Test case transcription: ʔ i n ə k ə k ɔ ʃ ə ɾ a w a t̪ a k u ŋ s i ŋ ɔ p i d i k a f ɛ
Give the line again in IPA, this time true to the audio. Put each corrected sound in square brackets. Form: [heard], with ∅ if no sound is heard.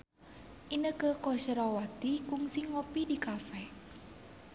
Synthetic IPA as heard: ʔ i n ə k ə k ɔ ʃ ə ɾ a w a t̪ [i] k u ŋ s i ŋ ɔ p i d i k a f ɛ